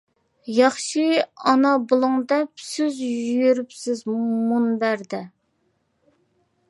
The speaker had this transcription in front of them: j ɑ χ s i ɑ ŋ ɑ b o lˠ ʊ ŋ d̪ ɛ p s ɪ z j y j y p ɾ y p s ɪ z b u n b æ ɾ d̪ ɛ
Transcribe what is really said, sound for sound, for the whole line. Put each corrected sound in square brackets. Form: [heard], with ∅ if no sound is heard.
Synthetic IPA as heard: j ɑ χ [ʃ] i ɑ [n] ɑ b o lˠ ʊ ŋ d̪ ɛ p s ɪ z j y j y [∅] ɾ y p s ɪ z [m] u n b æ ɾ d̪ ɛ